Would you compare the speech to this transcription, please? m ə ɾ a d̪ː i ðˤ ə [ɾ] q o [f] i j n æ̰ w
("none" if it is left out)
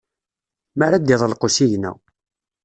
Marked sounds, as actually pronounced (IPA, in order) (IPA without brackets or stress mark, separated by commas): l, s